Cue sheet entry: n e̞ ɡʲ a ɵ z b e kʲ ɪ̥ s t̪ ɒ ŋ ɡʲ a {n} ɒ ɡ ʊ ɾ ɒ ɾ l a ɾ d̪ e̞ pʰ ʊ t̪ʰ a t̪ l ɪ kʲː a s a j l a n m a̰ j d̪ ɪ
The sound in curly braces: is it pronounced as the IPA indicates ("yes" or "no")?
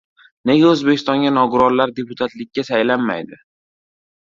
yes